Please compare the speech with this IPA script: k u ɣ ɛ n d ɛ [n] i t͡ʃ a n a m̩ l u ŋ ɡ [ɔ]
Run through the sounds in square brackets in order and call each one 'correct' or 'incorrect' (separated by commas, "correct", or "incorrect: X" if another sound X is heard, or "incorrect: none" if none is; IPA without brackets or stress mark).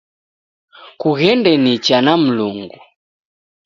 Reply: correct, incorrect: u